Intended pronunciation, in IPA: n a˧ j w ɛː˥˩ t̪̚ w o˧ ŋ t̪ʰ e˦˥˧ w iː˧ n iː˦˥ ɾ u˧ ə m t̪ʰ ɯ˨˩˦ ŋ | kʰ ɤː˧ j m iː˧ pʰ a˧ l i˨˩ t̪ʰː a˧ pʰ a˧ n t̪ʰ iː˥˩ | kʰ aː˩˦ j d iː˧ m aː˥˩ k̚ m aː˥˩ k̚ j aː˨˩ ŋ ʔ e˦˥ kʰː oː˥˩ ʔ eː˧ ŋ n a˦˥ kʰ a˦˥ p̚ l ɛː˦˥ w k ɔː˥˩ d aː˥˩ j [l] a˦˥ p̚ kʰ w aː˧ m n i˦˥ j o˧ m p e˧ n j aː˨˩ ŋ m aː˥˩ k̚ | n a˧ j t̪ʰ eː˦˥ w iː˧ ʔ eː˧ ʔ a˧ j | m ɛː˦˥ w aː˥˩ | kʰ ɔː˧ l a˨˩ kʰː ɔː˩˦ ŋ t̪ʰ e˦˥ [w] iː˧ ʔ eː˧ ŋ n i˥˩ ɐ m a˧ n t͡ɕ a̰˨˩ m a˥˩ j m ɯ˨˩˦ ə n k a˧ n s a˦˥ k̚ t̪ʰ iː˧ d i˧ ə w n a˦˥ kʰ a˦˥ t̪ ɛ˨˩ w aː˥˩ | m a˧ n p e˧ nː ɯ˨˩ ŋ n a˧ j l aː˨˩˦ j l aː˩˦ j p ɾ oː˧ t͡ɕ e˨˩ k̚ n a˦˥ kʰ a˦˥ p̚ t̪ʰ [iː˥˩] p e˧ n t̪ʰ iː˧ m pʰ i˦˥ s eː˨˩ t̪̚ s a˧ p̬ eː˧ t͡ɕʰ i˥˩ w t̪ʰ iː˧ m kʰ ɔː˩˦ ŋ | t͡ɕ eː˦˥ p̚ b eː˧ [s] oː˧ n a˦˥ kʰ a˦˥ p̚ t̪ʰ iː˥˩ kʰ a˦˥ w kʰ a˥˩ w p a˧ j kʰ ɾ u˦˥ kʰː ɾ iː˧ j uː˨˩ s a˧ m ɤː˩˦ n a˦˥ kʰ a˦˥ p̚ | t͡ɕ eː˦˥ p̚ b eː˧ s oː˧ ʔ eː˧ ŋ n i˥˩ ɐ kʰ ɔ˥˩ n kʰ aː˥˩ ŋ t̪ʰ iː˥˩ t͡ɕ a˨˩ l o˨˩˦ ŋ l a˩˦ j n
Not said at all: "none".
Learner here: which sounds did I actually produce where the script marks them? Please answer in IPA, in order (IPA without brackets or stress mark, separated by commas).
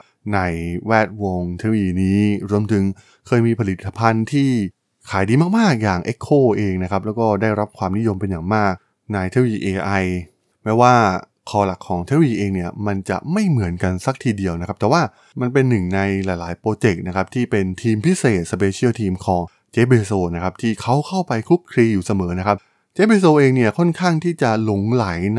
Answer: ɾ, w, iː˥˩, s